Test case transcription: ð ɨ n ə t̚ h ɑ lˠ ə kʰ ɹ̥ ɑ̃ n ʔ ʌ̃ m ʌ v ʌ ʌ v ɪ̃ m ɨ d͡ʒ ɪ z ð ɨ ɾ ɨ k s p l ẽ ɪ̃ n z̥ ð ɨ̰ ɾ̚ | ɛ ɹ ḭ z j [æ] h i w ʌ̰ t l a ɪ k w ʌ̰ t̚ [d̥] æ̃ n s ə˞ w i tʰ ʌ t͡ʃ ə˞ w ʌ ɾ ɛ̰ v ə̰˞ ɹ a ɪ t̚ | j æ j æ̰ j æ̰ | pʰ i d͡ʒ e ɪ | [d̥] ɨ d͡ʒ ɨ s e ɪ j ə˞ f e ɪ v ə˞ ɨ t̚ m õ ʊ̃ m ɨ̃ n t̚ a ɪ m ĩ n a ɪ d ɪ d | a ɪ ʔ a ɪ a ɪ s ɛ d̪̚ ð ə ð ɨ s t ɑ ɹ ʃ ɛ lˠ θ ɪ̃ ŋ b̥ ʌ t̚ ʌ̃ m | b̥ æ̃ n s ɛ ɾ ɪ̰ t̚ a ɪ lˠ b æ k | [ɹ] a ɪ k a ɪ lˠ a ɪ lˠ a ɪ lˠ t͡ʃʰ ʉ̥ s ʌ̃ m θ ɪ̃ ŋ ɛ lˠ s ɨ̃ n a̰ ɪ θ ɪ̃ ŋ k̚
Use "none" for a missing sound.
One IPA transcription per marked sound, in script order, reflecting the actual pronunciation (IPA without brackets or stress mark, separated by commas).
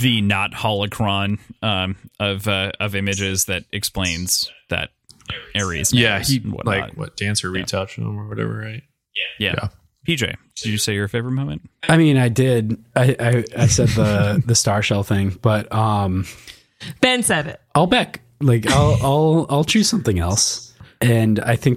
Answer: æ, d̥, d̥, l